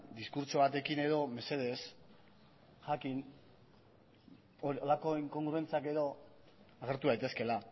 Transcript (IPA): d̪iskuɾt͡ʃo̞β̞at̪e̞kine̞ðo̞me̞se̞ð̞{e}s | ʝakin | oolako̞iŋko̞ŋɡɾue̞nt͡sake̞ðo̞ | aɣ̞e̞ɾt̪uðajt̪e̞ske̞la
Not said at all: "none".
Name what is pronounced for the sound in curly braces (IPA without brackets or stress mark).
e